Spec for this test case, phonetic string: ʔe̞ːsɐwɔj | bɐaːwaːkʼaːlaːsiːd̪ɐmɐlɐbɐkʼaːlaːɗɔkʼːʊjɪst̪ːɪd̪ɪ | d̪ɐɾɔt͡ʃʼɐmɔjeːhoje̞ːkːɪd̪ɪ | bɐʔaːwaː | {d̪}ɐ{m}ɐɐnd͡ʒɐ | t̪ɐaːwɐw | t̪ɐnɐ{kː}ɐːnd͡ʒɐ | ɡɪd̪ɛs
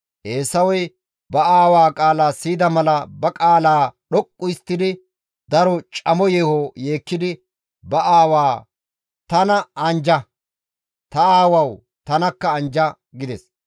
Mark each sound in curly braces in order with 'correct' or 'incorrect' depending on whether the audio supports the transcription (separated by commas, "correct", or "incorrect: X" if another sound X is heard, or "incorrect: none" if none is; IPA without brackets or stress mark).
incorrect: t̪, incorrect: n, correct